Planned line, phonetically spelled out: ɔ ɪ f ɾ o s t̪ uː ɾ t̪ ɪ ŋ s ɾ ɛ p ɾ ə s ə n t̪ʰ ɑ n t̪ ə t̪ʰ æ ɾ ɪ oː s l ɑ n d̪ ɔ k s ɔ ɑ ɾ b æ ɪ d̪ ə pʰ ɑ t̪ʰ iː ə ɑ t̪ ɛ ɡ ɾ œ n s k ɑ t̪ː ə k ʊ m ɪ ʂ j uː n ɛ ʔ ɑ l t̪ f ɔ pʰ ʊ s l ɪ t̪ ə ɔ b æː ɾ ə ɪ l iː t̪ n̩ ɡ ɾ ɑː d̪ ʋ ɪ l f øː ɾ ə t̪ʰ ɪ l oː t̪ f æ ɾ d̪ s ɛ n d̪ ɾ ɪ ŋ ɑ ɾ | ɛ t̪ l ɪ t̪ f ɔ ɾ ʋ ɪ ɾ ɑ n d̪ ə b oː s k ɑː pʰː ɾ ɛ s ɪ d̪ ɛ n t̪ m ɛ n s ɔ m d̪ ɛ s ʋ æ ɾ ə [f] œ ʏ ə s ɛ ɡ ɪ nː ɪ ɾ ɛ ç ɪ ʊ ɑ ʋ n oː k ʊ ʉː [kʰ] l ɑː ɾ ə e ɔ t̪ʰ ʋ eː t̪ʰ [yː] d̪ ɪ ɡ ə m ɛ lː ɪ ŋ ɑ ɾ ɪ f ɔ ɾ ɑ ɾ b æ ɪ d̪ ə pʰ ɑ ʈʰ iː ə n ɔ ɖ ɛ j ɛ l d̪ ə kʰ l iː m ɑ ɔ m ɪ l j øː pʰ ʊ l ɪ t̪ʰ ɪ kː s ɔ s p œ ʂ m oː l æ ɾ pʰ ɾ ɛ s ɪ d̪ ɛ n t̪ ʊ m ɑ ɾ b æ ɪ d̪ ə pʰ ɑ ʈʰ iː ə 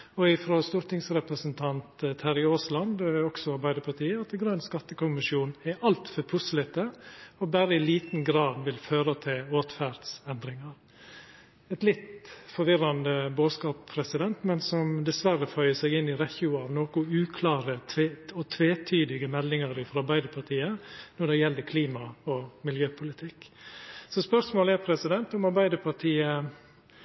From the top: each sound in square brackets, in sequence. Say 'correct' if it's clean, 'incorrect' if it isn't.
correct, correct, correct

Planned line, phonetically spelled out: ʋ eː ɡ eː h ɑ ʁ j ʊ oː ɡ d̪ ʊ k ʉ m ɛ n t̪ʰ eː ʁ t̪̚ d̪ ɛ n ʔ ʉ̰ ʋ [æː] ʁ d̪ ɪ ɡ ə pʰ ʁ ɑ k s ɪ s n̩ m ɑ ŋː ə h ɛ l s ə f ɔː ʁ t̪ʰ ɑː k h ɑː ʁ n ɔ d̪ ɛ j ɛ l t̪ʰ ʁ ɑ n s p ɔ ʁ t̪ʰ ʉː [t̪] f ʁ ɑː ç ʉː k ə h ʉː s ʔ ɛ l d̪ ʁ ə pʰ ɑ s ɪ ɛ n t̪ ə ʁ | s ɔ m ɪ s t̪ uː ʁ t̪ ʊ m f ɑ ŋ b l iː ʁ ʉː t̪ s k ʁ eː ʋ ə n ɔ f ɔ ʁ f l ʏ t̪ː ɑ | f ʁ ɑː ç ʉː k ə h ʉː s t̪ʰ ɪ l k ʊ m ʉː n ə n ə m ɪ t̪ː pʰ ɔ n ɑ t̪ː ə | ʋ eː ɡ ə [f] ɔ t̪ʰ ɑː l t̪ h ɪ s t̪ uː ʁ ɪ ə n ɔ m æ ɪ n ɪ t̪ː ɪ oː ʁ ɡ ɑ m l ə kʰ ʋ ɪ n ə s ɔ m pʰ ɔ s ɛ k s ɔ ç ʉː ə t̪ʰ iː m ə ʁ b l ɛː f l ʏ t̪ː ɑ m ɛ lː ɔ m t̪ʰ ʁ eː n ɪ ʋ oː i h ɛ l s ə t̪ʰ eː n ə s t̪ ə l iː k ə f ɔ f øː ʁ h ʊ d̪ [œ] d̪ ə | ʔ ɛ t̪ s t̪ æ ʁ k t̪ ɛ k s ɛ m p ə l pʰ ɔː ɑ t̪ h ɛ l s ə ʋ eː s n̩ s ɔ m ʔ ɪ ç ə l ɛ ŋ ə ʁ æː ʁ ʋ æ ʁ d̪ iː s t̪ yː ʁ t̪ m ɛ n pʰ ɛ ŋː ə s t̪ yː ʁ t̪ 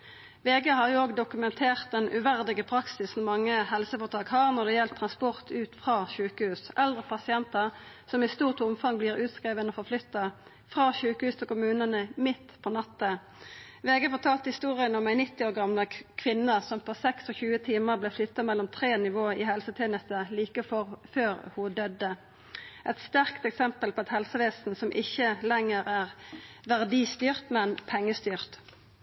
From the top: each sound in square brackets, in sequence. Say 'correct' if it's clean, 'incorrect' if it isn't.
incorrect, correct, correct, correct

